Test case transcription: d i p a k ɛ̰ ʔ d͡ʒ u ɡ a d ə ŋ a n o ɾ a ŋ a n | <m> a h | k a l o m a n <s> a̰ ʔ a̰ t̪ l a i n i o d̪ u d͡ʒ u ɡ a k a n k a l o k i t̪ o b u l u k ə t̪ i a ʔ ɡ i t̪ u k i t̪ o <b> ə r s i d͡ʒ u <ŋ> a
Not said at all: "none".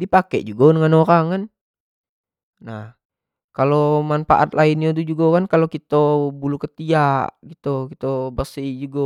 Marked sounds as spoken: n, f, b, ɡ

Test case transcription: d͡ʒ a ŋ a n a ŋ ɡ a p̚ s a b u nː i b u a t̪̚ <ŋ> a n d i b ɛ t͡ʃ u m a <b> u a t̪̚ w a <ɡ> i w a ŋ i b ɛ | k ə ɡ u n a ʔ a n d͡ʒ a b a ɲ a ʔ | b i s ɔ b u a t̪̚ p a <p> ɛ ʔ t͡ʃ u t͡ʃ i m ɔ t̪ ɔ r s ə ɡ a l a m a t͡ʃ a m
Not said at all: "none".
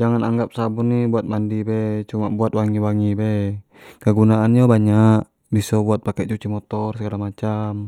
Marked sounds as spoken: m, b, ŋ, k

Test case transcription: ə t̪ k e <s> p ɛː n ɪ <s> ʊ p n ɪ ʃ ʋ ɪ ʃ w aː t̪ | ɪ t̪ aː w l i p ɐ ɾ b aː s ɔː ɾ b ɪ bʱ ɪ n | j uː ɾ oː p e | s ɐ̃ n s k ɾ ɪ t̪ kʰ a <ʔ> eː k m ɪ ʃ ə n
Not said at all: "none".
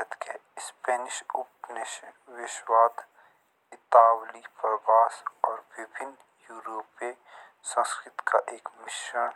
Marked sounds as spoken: s, ʃ, ʔ

